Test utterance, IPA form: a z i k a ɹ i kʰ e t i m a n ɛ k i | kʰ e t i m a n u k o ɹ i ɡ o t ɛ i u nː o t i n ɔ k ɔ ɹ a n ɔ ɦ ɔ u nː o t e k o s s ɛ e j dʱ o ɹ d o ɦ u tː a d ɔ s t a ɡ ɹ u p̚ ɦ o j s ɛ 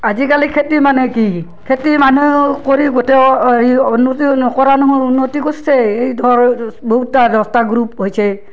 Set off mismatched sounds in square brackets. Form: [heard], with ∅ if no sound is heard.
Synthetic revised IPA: a z i k a [l] i kʰ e t i m a n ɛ k i | kʰ e t i m a n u k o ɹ i ɡ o t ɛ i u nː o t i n ɔ k ɔ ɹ a n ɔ ɦ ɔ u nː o t [i] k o s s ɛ e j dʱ [ɔ] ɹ [b] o ɦ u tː a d ɔ s t a ɡ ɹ u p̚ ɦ o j s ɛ